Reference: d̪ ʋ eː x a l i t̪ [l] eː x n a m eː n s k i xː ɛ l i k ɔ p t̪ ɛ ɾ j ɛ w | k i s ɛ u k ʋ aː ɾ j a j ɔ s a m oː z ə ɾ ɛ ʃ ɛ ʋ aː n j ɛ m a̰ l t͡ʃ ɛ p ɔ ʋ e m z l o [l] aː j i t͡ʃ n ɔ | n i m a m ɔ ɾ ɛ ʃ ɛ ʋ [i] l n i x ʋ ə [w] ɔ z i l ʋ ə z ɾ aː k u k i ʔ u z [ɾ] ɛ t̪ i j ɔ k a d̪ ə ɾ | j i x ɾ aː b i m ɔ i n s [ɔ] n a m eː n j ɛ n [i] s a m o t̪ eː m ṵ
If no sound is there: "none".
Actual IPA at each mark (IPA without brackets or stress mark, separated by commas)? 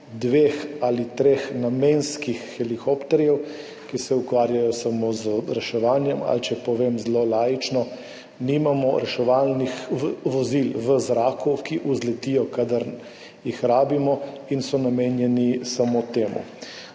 ɾ, l, a, ʋ, l, ɔ, i